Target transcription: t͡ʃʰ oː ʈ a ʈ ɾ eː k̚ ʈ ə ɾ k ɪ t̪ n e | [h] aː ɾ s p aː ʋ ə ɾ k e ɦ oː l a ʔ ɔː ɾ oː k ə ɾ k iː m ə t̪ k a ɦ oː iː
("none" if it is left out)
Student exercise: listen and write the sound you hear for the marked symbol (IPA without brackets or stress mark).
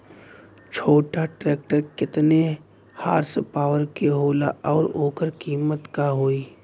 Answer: h